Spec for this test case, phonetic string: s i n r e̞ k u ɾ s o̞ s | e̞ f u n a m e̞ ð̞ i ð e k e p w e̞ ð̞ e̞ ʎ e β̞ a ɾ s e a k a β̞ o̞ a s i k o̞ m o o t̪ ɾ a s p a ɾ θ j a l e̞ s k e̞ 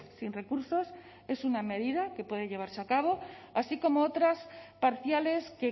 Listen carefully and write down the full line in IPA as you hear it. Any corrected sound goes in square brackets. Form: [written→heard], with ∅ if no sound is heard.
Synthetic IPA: s i n r e̞ k u ɾ s o̞ s | e̞ [f→s] u n a m e̞ ð̞ i ð [e→a] k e p w e̞ ð̞ e̞ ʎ e β̞ a ɾ s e a k a β̞ o̞ a s i k o̞ m o o t̪ ɾ a s p a ɾ θ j a l e̞ s k e̞

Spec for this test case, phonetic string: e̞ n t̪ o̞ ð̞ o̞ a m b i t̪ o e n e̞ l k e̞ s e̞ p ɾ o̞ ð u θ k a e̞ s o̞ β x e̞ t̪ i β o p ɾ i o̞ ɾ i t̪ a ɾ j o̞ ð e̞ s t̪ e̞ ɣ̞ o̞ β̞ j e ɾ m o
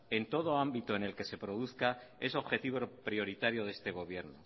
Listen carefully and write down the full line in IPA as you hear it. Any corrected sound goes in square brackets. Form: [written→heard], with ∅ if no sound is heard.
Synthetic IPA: e̞ n t̪ o̞ ð̞ o̞ a m b i t̪ o e n e̞ l k e̞ s e̞ p ɾ o̞ ð u θ k a e̞ s o̞ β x e̞ t̪ i β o p ɾ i o̞ ɾ i t̪ a ɾ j o̞ ð e̞ s t̪ e̞ ɣ̞ o̞ β̞ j e ɾ [m→n] o

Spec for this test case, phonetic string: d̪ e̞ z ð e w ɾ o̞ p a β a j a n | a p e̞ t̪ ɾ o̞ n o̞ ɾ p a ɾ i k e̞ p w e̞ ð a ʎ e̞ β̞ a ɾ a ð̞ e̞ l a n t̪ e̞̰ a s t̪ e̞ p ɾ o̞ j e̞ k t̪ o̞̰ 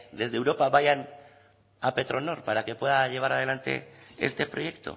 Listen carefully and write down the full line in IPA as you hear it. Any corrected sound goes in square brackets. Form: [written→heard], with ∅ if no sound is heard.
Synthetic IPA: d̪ e̞ z ð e w ɾ o̞ p a β a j a n | a p e̞ t̪ ɾ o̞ n o̞ ɾ p a ɾ [i→a] k e̞ p w e̞ ð a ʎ e̞ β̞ a ɾ a ð̞ e̞ l a n t̪ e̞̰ [a→e] s t̪ e̞ p ɾ o̞ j e̞ k t̪ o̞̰

